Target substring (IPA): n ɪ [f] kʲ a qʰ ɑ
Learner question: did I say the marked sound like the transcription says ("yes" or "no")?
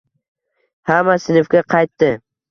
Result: yes